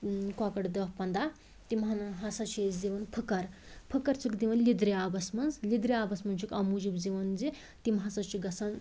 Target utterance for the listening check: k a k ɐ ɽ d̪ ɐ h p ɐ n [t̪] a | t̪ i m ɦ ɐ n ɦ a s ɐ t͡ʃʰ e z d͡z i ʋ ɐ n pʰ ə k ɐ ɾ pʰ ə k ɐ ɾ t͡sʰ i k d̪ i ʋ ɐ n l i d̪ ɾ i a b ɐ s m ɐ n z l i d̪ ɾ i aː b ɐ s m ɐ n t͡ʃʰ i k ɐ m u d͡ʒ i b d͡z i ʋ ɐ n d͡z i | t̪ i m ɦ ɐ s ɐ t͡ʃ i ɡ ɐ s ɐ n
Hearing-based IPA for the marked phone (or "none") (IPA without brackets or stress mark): d̪